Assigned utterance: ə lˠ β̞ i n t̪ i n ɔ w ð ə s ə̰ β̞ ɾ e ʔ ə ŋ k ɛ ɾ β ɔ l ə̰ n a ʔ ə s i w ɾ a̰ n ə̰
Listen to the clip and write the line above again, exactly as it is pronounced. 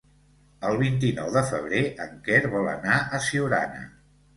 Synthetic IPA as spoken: ə lˠ β̞ i n t̪ i n ɔ w ð ə f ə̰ β̞ ɾ e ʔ ə ŋ k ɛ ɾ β ɔ l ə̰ n a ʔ ə s i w ɾ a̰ n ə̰